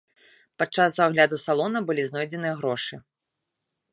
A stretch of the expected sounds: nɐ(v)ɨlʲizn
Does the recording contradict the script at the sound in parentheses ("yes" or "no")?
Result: yes